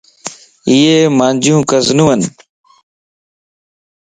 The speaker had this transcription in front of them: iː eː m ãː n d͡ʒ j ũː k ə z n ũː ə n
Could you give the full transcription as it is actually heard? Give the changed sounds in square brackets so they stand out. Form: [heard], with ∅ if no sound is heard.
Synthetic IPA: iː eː m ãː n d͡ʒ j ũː k ə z n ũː ə n